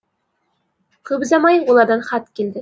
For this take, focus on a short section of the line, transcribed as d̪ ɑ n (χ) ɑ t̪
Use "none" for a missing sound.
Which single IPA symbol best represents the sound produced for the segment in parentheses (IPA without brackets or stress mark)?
χ